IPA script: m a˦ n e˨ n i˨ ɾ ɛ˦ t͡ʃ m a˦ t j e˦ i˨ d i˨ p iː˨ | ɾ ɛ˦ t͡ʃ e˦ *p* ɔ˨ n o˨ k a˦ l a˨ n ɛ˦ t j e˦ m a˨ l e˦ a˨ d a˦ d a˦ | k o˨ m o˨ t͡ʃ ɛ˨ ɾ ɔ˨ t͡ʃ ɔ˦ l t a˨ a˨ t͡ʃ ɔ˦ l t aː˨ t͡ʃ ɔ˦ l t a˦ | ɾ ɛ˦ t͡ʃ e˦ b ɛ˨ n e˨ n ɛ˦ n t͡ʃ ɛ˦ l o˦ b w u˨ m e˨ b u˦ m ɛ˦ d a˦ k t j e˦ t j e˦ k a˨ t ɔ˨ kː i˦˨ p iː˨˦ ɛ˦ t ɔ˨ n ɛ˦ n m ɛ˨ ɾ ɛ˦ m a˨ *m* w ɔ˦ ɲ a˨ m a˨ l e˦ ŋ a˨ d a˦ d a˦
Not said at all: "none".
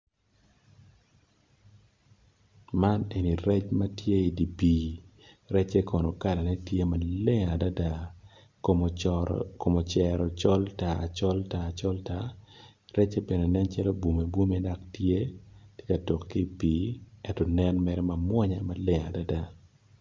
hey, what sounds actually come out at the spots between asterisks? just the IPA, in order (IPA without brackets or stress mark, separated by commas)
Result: k, m